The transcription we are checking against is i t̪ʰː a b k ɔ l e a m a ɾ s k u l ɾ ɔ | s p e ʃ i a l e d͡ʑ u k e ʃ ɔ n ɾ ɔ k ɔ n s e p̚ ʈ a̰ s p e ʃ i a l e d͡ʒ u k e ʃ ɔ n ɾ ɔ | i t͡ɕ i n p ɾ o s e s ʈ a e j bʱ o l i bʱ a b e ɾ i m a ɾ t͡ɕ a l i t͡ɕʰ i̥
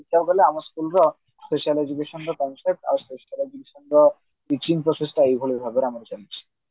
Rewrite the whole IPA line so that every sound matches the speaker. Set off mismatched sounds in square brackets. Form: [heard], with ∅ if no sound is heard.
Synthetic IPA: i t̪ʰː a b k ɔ l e a m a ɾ s k u l ɾ ɔ | s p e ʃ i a l e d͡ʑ u k e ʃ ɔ n ɾ ɔ k ɔ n s e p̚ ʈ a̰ s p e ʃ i a l e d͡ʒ u k e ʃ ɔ n ɾ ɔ | i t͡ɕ i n p ɾ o s e s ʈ a e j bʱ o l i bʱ a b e ɾ [a] m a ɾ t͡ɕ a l i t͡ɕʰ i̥